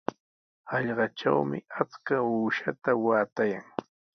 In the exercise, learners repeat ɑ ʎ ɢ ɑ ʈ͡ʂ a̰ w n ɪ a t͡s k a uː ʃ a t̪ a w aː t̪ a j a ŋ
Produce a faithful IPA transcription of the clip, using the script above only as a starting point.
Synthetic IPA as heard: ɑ ʎ ɢ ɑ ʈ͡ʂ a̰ w m ɪ a t͡s k a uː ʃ a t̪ a w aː t̪ a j a ŋ